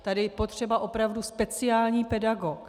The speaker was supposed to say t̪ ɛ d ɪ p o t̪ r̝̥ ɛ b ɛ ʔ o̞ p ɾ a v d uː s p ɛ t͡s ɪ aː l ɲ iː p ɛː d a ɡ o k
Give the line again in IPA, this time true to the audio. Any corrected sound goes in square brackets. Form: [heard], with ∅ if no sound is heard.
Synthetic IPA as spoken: t̪ [a] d ɪ p o t̪ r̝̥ ɛ b [a] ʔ o̞ p ɾ a v d [u] s p ɛ t͡s ɪ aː l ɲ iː p [ɛ] d a ɡ o k